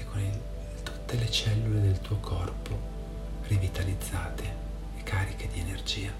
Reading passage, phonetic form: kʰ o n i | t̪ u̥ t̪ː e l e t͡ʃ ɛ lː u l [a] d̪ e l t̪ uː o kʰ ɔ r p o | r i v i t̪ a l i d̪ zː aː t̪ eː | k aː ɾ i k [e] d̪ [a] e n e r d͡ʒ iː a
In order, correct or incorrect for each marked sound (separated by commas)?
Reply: incorrect, correct, incorrect